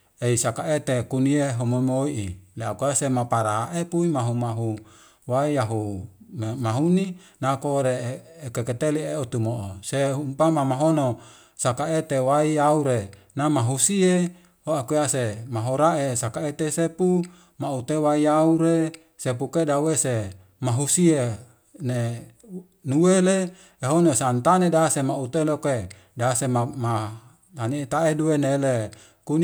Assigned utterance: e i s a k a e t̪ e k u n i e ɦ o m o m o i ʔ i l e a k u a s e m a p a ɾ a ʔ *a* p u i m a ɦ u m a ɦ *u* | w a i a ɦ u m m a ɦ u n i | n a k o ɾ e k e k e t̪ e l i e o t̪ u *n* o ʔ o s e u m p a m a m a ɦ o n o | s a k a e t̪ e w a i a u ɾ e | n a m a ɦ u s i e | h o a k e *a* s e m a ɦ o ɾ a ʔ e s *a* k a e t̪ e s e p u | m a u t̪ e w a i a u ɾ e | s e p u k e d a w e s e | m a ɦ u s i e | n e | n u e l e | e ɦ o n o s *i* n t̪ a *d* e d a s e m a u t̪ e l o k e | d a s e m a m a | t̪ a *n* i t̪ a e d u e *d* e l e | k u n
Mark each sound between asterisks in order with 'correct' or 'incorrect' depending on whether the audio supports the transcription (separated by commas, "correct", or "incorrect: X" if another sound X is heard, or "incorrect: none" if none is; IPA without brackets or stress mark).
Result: incorrect: e, correct, incorrect: m, correct, correct, incorrect: a, incorrect: n, correct, incorrect: n